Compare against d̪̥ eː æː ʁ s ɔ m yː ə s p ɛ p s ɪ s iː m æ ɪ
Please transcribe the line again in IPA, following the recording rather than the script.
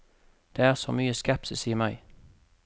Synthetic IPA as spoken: d̪̥ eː æː ʁ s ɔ m yː ə s k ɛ p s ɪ s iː m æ ɪ